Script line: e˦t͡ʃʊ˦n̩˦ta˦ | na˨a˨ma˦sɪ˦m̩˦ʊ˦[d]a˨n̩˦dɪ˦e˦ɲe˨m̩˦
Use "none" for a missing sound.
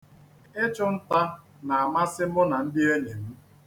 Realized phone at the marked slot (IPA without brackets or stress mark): n